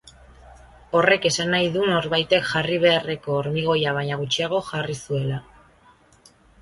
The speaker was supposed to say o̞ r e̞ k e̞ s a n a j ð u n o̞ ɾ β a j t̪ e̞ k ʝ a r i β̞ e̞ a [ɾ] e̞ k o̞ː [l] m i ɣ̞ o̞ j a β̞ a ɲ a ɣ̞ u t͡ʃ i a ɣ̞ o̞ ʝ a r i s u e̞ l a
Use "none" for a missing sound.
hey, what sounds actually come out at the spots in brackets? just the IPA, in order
r, ɾ

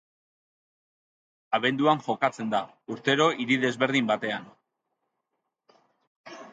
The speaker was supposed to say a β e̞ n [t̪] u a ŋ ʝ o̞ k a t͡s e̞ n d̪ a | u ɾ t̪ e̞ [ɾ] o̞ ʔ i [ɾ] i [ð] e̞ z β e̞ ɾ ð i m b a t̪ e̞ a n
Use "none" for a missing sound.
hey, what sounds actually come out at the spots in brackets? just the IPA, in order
d̪, ɾ, ɾ, ð

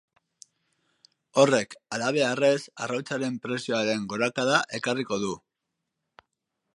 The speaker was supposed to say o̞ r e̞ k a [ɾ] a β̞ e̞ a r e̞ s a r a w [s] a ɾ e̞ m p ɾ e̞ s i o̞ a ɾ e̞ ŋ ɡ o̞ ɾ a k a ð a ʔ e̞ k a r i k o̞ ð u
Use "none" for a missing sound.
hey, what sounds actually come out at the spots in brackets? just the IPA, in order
l, t͡s

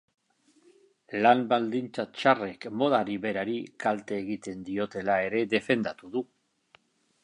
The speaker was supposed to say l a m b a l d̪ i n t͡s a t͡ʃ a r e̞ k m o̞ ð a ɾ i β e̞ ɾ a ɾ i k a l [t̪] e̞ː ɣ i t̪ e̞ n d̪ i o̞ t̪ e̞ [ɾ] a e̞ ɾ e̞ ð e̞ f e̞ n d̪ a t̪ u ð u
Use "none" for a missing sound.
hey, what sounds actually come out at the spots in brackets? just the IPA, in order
t̪, l

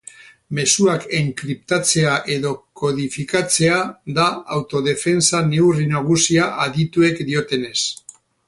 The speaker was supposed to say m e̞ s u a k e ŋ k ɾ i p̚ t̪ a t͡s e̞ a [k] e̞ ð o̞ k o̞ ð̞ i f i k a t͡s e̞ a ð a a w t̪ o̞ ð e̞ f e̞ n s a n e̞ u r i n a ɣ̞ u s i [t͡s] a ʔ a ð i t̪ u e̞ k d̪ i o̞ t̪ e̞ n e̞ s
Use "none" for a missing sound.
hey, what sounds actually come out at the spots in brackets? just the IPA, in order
ʔ, none

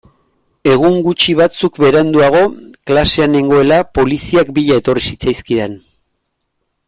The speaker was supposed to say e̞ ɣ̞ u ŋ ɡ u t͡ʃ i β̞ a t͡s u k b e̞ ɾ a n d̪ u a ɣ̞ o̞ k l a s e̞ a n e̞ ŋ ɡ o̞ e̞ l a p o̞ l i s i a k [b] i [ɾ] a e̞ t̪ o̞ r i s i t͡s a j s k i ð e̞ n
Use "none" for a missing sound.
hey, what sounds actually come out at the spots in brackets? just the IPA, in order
b, ʎ

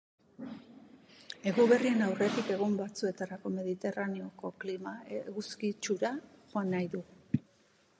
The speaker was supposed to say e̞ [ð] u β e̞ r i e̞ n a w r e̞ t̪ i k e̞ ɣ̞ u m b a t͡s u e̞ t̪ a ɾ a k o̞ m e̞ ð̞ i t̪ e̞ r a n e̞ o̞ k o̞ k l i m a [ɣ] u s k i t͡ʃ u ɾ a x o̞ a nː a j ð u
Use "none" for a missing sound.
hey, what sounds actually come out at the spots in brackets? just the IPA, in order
ɣ, ɣ

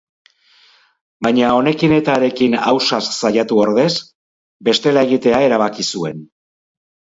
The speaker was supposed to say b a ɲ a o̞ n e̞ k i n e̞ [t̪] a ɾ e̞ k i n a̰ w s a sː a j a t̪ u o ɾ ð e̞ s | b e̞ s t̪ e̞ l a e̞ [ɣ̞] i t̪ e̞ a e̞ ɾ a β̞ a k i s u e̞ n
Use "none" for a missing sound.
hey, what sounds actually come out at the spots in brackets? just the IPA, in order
t̪, ɣ̞

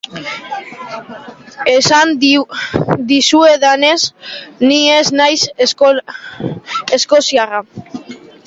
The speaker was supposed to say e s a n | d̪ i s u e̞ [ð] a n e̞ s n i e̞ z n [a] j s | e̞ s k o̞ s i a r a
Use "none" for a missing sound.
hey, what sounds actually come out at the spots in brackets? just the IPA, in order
ð, a

